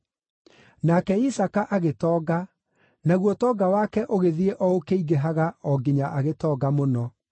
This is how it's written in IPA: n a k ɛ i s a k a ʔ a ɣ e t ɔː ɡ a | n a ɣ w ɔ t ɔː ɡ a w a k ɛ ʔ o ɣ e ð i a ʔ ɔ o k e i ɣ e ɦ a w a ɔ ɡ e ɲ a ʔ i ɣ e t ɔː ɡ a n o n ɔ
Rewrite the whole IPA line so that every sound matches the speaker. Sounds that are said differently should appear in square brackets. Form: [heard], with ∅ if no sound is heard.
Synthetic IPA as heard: n a k ɛ i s a k a ʔ a ɣ e t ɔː ɡ a | n a ɣ w ɔ t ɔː ɡ a w a k ɛ ʔ o ɣ e ð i [e] ʔ ɔ o k e i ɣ e ɦ a [ɣ] a ɔ ɡ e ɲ a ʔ [a] ɣ e t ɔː ɡ a [m] o n ɔ